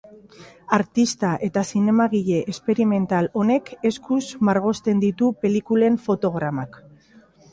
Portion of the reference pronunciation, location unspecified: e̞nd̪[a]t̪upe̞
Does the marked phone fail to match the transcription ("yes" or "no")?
yes